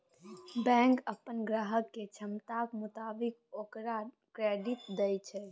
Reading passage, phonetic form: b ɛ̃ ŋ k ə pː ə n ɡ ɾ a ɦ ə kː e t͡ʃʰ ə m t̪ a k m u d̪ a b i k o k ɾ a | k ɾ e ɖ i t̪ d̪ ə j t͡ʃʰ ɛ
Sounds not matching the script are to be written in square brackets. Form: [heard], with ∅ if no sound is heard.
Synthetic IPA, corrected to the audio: b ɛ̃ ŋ k ə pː ə n ɡ ɾ a ɦ ə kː e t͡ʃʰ ə m t̪ a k m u [t̪] a b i k o k ɾ a | k ɾ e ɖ i t̪ d̪ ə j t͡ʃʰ ɛ